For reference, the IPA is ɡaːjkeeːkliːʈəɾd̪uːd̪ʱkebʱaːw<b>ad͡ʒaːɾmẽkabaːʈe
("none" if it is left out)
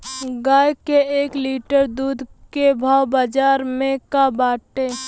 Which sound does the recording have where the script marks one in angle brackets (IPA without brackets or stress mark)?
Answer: b